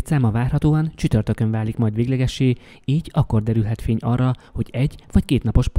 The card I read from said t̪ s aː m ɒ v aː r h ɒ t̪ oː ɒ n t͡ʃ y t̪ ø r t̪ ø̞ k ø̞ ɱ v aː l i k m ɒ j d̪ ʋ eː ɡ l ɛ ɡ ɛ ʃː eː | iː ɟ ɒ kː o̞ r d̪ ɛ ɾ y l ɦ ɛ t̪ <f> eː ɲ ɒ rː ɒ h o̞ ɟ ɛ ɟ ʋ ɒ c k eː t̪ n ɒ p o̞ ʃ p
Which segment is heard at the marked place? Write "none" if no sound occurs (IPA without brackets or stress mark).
f